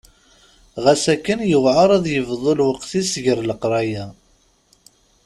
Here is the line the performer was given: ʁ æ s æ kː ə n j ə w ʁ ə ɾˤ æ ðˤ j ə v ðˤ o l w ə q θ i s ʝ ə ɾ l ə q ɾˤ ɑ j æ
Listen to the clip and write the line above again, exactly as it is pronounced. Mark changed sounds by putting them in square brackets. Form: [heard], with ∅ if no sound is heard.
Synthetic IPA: ʁ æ s æ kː ə n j ə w [ʕ] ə ɾˤ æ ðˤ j ə v ðˤ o l w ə q θ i s ʝ ə ɾ l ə q ɾˤ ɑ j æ

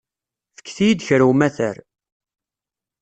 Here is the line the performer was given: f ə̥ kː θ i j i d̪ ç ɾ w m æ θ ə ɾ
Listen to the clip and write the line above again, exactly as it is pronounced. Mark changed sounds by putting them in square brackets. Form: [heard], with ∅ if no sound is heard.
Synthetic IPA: f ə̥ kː θ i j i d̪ ç ɾ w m æ θ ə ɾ

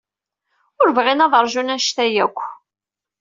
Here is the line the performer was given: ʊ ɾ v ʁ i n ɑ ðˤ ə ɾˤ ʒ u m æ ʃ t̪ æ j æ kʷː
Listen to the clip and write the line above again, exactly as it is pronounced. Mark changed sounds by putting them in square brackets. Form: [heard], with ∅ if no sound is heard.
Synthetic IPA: ʊ ɾ v ʁ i n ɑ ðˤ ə ɾˤ ʒ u [n] æ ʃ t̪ æ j æ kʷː

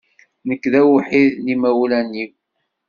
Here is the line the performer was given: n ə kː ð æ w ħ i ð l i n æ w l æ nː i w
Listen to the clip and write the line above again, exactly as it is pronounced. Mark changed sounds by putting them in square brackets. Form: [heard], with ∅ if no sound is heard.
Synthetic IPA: n ə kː ð æ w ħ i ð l i [m] æ w l æ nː i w

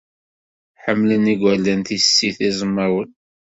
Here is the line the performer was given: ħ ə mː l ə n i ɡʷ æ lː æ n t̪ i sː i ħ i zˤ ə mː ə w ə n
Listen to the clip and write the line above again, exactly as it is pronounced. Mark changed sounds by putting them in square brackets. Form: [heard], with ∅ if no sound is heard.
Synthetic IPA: ħ ə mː l ə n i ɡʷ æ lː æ n t̪ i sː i [θ] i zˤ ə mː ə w ə n

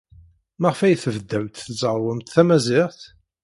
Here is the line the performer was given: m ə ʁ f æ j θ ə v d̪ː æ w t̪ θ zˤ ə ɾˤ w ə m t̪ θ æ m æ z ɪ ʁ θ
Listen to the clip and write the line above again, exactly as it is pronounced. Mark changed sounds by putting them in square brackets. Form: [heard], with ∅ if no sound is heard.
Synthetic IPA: m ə ʁ f æ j θ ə v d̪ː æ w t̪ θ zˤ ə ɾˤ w ə m t̪ θ æ m æ z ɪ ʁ θ

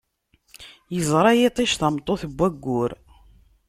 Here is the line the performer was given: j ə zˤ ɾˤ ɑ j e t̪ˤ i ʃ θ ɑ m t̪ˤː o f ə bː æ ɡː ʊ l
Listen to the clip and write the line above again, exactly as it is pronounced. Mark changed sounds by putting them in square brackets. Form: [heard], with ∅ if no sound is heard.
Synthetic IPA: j ə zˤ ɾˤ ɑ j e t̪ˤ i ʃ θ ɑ m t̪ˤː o [θ] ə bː æ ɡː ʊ [ɾ]

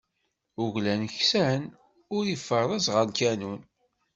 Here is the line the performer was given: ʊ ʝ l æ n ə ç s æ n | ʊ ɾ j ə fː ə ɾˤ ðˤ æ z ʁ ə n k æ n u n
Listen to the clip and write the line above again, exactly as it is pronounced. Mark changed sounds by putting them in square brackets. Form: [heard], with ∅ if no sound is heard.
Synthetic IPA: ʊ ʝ l æ n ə ç s æ n | ʊ ɾ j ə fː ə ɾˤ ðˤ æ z ʁ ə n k æ n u n

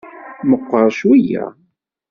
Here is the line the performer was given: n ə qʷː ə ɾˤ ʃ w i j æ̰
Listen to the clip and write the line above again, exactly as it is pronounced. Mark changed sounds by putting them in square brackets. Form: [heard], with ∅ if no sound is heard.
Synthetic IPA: [m] ə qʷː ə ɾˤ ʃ w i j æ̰

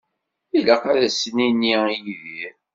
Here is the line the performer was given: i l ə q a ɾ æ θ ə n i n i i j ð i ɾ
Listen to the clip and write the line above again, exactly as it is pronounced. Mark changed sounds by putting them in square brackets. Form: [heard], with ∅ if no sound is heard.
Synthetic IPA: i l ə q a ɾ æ [s] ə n i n i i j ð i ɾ

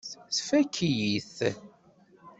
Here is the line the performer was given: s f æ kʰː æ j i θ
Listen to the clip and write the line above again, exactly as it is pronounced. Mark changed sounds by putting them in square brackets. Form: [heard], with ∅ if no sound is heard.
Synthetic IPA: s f æ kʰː [i] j i θ

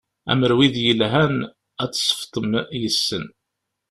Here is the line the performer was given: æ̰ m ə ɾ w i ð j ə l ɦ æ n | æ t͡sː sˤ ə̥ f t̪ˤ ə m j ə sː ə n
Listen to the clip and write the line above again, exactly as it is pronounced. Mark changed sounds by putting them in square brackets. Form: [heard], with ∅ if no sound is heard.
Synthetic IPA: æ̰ m ə ɾ w i ð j ə l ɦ æ n | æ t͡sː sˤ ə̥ f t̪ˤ ə m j ə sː ə n

